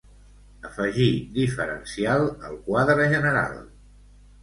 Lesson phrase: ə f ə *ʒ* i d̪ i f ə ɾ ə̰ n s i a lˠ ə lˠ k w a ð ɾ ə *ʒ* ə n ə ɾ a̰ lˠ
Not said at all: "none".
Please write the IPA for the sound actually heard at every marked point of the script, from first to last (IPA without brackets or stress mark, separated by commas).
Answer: ʒ, ʒ